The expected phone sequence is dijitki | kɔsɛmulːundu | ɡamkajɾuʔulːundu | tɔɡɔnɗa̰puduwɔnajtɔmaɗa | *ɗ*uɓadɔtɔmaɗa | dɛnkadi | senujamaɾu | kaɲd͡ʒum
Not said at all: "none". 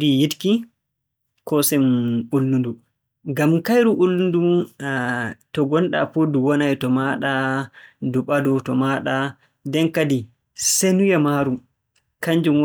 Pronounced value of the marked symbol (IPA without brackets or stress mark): d